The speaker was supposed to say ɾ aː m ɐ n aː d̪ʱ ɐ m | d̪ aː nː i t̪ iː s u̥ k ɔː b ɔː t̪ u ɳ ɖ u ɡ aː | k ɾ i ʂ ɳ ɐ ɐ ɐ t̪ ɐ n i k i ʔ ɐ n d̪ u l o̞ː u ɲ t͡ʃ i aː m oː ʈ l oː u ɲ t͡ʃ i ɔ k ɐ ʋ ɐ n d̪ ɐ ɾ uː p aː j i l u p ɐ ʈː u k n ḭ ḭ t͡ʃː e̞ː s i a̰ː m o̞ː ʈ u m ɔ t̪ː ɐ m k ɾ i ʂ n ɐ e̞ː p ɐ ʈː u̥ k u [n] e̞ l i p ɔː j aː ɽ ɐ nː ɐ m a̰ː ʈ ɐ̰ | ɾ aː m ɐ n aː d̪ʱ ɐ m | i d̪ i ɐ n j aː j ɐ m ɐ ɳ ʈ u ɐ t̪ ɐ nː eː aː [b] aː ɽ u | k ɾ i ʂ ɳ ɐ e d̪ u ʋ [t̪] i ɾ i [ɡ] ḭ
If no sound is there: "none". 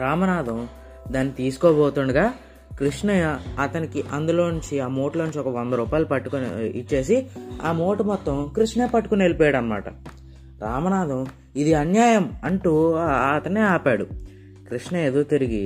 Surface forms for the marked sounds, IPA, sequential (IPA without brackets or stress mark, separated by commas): n, p, t̪, ɡ